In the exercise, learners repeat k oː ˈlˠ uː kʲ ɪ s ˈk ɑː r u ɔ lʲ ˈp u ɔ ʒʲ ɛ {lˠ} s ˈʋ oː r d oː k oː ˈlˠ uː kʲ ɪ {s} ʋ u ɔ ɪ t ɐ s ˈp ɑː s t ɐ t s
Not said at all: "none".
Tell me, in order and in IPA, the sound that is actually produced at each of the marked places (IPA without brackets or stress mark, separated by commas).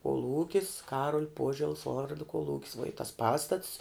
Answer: lˠ, s